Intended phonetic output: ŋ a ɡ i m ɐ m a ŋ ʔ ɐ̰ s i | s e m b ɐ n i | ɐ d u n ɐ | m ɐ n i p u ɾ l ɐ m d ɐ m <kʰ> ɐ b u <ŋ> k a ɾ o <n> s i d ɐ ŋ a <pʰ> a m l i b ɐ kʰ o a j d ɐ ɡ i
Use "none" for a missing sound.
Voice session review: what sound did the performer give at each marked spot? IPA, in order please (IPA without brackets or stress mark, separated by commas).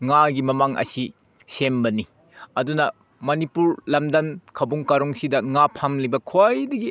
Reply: kʰ, ŋ, ŋ, pʰ